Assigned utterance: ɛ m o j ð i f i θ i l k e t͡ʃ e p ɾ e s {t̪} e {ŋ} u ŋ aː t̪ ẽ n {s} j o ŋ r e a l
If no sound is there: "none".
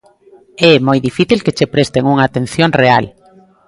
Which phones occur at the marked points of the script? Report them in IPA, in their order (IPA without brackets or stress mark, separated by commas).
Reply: t̪, ŋ, θ